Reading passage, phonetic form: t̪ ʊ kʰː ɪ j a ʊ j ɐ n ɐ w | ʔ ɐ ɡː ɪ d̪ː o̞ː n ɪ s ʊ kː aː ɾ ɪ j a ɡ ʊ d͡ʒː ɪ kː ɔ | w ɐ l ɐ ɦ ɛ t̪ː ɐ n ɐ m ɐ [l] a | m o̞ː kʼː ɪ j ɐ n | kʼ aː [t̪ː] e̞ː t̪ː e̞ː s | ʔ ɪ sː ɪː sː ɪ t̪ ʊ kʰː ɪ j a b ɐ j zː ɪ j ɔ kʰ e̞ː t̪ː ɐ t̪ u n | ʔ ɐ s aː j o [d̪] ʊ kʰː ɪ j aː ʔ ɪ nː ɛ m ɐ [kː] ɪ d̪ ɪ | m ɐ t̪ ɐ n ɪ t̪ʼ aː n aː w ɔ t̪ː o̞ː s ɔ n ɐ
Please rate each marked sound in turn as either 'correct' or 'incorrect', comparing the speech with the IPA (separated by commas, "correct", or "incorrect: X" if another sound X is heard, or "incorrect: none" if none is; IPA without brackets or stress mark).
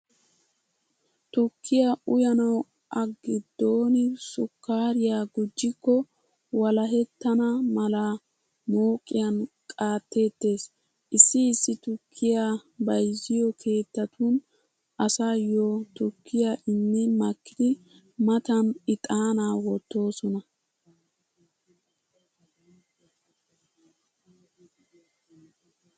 correct, correct, incorrect: t̪, correct